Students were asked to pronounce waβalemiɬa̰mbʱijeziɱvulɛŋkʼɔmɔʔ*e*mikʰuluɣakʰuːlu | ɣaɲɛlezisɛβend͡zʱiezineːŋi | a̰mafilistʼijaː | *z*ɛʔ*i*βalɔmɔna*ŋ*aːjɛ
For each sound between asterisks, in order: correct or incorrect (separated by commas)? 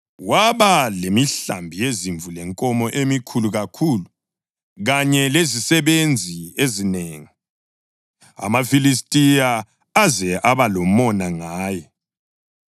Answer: correct, correct, incorrect, correct